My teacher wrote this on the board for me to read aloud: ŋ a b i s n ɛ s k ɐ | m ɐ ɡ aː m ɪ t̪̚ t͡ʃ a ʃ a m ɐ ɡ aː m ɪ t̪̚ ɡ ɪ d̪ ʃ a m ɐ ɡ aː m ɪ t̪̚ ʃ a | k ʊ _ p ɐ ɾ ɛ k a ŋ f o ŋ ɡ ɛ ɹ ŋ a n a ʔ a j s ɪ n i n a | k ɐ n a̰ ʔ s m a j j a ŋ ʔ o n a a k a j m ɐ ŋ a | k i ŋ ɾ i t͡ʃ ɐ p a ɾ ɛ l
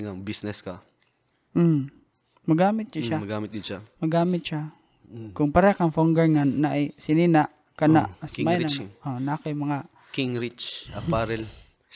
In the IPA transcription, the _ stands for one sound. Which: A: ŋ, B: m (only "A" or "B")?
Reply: A